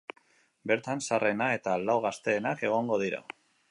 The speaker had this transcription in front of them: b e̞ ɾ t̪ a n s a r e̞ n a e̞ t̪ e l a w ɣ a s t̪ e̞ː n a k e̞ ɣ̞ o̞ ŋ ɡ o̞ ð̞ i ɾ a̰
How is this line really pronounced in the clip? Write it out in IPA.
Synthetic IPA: b e̞ ɾ t̪ a n s a r e̞ n a e̞ t̪ a l a w ɣ a s t̪ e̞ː n a k e̞ ɣ̞ o̞ ŋ ɡ o̞ ð̞ i ɾ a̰